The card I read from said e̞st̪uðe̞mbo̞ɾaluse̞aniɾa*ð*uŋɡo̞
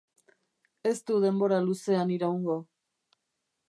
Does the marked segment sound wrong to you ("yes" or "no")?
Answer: yes